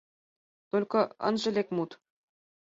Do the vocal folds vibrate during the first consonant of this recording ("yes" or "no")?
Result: no